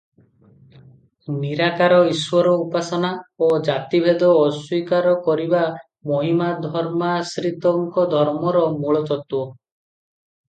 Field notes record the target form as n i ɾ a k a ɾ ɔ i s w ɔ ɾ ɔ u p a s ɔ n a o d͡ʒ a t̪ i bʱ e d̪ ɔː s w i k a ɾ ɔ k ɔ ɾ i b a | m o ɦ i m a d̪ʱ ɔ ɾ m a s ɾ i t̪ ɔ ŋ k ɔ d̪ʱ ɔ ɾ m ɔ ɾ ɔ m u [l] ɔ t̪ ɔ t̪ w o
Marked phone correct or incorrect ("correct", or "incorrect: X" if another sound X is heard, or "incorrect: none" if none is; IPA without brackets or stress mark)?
incorrect: ɭ